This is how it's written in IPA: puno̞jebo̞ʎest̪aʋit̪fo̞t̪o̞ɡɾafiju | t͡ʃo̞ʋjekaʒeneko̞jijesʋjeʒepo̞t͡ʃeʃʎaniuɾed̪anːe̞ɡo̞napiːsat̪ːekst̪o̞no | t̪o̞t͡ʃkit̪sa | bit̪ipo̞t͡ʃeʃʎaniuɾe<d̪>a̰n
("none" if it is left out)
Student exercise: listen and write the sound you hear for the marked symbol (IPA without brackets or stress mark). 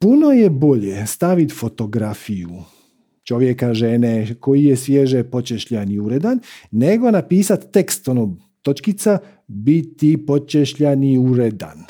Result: d̪